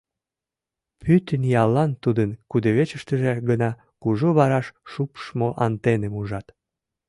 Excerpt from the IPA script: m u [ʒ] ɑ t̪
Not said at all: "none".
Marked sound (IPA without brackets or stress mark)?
ʒ